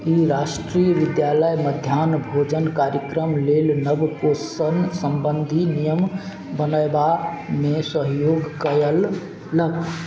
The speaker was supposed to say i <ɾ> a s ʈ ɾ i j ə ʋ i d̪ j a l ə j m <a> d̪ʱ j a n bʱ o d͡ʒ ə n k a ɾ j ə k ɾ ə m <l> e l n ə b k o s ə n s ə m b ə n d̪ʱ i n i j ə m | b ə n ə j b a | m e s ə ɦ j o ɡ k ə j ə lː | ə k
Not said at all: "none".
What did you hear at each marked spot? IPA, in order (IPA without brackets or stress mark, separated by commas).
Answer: ɾ, ə, l